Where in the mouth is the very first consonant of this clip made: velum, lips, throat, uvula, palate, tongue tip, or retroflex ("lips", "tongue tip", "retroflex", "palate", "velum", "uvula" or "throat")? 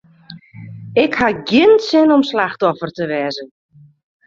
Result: velum